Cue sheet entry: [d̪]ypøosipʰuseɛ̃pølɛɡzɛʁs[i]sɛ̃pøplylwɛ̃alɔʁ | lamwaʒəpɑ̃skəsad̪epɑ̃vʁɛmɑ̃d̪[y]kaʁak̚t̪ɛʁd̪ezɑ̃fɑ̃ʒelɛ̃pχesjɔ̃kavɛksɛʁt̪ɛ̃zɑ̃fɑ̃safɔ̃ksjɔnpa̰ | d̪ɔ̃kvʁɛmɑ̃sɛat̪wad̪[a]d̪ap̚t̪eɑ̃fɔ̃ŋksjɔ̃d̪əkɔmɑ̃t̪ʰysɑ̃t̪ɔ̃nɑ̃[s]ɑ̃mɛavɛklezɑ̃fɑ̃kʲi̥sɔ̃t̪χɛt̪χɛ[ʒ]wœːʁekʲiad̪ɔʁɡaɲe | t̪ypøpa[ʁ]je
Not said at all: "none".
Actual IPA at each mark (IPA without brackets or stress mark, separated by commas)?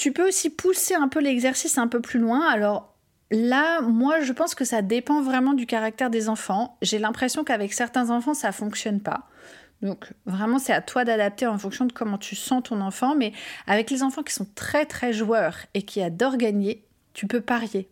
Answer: t̪, i, y, a, f, ʒ, ʁ